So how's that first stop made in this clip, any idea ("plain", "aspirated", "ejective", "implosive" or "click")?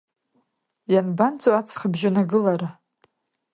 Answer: plain